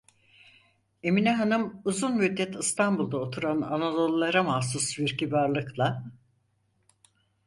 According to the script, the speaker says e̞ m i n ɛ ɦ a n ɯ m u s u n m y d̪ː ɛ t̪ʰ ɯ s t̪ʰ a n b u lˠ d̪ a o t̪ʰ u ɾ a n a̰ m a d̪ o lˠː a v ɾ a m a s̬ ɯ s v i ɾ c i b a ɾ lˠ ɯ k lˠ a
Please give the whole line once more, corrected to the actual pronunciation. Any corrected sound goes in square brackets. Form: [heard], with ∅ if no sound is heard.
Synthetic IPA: e̞ m i n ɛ ɦ a n ɯ m u [z] u n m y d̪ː ɛ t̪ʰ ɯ s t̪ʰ a n b u lˠ d̪ a o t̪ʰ u ɾ a n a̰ [n] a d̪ o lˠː a [∅] ɾ a m a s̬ [u] s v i ɾ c i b a ɾ lˠ ɯ k lˠ a